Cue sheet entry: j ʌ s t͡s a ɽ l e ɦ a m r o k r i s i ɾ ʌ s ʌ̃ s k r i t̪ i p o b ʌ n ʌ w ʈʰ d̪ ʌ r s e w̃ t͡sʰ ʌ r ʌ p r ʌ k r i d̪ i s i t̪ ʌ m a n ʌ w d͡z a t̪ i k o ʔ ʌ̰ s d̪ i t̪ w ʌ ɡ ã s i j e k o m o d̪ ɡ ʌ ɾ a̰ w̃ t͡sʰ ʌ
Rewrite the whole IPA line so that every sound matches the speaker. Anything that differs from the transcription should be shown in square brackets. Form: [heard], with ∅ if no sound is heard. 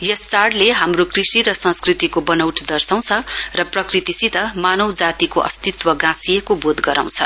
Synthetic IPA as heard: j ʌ s t͡s a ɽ l e ɦ a m r o k r i s i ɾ ʌ s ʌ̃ s k r i t̪ i [k] o b ʌ n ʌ w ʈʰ d̪ ʌ r s [a] w̃ t͡sʰ ʌ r ʌ p r ʌ k r i [t̪] i s i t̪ ʌ m a n ʌ w d͡z a t̪ i k o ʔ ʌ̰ s [t̪] i t̪ w ʌ ɡ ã s i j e k o [b] o d̪ ɡ ʌ ɾ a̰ w̃ t͡sʰ ʌ